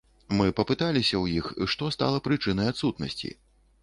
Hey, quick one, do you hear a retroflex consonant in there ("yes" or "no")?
yes